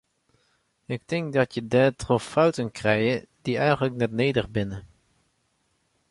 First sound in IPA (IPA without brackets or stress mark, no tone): ɪ